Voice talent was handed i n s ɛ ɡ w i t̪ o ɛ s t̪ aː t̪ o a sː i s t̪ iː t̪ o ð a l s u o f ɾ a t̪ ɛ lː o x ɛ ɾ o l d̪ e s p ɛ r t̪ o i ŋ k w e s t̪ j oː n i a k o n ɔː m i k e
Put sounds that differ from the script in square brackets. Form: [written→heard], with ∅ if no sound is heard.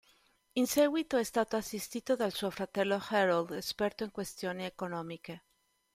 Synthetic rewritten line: i n s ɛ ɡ w i t̪ o ɛ s t̪ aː t̪ o a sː i s t̪ iː t̪ o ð a l s u o f ɾ a t̪ ɛ lː o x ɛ ɾ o l d̪ e s p ɛ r t̪ o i ŋ k w e s t̪ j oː n i [a→e] k o n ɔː m i k e